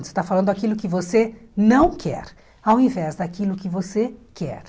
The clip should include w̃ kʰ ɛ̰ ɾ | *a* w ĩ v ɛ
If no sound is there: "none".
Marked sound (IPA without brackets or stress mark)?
a